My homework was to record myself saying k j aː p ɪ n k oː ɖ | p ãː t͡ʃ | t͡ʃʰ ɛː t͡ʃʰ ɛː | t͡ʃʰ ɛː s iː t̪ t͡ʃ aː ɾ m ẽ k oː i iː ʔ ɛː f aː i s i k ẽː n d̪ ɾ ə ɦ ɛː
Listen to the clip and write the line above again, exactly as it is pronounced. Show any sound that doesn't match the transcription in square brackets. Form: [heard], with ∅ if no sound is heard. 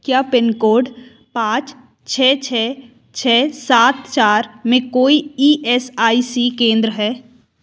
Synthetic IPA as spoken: k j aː p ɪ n k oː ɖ | p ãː t͡ʃ | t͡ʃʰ ɛː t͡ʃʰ ɛː | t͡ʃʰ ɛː s [aː] t̪ t͡ʃ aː ɾ m ẽ k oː i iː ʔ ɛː [s] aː i s i k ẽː n d̪ ɾ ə ɦ ɛː